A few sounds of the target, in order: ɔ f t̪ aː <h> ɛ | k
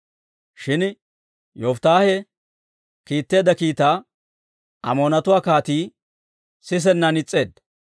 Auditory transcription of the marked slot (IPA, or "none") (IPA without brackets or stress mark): h